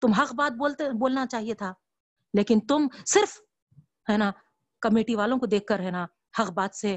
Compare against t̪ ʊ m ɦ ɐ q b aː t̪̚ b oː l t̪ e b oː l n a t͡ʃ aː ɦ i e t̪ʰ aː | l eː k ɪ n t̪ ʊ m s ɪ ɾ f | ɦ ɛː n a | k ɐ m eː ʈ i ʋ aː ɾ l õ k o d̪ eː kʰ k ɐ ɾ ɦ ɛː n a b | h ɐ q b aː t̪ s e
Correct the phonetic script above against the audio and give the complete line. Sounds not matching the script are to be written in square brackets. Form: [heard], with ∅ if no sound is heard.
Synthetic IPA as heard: t̪ ʊ m ɦ ɐ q b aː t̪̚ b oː l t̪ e b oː l n a t͡ʃ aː ɦ i e t̪ʰ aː | l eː k ɪ n t̪ ʊ m s ɪ ɾ f | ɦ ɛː n a | k ɐ m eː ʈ i ʋ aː [∅] l õ k o d̪ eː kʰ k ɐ ɾ ɦ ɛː n a [∅] | h ɐ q b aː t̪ s e